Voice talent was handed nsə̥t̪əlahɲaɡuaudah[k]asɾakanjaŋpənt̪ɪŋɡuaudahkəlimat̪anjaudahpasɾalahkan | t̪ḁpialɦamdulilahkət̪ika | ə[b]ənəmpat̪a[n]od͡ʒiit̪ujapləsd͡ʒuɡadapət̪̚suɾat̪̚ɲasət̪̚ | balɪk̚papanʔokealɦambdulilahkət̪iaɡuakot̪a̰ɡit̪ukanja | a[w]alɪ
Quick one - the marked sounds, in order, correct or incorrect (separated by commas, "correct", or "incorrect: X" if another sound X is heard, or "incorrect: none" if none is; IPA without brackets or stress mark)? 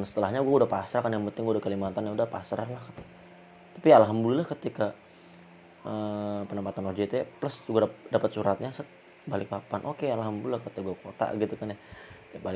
incorrect: p, incorrect: p, correct, incorrect: b